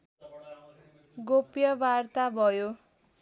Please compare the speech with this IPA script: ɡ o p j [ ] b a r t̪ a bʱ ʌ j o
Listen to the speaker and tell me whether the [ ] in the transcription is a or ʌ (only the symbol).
ʌ